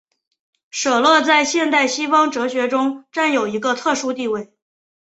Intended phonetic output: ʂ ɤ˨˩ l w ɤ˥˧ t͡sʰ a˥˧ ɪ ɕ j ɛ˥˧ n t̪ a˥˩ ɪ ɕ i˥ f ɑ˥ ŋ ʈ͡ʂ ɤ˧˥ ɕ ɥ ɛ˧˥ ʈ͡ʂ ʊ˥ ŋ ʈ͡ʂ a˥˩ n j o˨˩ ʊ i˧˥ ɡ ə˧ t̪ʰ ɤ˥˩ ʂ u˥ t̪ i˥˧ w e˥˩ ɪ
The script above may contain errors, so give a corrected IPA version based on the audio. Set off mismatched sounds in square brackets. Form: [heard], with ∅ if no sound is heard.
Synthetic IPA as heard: ʂ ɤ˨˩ l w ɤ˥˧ [t͡s] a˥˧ ɪ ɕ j ɛ˥˧ n t̪ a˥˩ ɪ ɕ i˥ f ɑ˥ ŋ ʈ͡ʂ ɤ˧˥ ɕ ɥ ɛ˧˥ ʈ͡ʂ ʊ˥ ŋ ʈ͡ʂ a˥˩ n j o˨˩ ʊ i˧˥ ɡ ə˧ t̪ʰ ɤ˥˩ ʂ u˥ t̪ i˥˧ w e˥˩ ɪ